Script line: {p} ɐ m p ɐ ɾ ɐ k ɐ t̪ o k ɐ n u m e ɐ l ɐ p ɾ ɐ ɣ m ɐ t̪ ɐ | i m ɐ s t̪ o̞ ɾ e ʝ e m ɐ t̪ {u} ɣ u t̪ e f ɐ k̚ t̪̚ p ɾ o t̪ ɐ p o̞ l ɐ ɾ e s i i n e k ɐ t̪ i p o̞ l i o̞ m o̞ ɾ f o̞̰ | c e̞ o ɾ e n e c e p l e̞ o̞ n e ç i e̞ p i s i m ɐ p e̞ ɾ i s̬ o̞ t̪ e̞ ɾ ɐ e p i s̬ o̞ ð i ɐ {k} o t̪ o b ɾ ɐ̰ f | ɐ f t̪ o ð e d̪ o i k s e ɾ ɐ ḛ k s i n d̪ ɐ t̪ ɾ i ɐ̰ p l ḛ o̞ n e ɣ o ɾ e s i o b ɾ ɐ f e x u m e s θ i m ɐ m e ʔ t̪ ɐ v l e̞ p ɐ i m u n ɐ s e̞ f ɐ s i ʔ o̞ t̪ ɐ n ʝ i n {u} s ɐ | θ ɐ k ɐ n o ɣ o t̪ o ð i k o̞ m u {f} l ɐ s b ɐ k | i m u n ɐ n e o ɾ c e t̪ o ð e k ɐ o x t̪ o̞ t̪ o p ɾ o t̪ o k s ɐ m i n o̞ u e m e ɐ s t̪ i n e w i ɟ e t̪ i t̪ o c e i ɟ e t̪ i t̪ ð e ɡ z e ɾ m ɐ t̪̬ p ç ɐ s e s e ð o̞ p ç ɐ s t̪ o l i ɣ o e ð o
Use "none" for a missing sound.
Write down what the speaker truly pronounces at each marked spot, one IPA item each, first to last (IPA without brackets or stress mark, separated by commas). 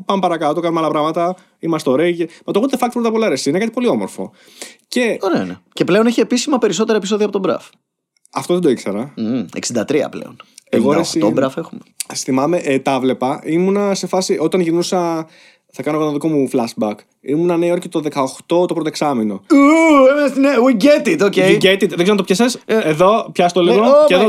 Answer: p, o, p, u, f